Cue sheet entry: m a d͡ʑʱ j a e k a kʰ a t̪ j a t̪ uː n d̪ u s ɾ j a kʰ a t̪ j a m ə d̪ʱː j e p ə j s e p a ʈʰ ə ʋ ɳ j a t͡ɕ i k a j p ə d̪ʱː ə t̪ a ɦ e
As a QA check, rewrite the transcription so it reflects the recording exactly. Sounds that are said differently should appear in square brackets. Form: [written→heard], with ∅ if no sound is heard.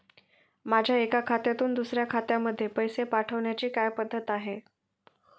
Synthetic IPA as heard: m a d͡ʑʱ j a e k a kʰ a t̪ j a t̪ uː n d̪ u s ɾ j a kʰ a t̪ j a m ə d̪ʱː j e p ə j s e p a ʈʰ ə ʋ ɳ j a t͡ɕ [i→iː] k a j p ə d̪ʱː ə t̪ a ɦ e